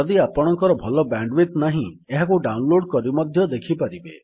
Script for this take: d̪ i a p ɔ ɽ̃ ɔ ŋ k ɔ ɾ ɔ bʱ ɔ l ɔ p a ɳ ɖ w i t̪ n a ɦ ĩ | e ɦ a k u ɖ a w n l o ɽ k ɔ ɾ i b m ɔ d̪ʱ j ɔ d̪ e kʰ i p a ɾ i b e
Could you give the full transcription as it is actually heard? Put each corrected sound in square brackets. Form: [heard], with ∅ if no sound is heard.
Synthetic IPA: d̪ i a p ɔ ɽ̃ ɔ ŋ k ɔ ɾ ɔ bʱ ɔ l ɔ [b] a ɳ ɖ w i t̪ n a ɦ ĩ | e ɦ a k u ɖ a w n l o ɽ k ɔ ɾ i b m ɔ d̪ʱ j ɔ d̪ e kʰ i p a ɾ i b e